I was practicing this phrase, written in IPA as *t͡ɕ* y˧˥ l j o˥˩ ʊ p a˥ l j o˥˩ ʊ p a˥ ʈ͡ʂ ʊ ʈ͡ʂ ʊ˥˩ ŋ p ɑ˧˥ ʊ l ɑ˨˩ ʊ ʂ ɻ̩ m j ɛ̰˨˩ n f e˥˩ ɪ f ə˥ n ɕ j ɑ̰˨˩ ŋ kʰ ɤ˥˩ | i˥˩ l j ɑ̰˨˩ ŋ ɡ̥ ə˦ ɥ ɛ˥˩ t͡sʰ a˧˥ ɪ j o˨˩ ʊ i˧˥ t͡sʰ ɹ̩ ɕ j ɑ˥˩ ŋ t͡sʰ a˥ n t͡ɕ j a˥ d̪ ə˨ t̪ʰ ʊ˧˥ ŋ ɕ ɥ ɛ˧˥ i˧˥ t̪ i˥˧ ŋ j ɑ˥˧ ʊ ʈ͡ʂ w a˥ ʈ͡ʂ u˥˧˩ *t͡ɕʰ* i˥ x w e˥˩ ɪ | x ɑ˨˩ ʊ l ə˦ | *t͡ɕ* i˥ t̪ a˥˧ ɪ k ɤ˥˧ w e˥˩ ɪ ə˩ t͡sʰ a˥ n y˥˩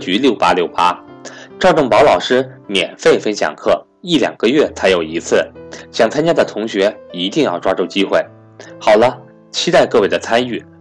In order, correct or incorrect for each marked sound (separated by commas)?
correct, incorrect, incorrect